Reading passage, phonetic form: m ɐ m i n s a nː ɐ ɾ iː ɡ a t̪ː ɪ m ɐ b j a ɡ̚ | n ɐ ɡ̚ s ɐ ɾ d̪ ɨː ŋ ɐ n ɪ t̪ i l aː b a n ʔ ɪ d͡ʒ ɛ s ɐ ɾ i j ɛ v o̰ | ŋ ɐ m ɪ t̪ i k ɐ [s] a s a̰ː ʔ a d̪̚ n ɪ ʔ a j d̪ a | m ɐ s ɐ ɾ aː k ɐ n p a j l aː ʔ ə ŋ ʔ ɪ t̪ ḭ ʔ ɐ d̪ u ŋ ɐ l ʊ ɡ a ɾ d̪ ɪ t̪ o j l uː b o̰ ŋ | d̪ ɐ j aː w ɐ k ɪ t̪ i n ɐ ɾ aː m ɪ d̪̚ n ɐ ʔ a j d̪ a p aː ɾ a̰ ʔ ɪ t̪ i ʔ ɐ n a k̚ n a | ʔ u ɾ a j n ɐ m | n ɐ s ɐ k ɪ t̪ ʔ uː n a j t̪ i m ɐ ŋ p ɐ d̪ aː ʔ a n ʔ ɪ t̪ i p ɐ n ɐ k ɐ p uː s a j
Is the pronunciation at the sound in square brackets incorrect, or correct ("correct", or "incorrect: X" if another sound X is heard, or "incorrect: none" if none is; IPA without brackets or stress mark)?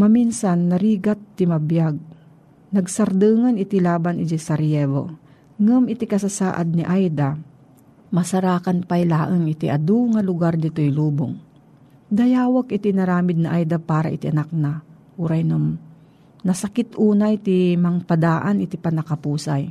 correct